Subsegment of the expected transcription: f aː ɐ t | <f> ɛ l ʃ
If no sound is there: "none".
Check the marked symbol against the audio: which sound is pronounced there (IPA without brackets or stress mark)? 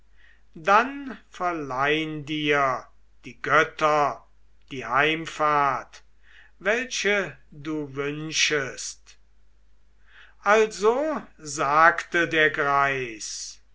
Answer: v